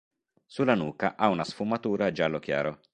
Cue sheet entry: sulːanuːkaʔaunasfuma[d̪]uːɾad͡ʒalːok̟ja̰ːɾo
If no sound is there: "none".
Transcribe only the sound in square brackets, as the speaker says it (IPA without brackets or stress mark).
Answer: t̪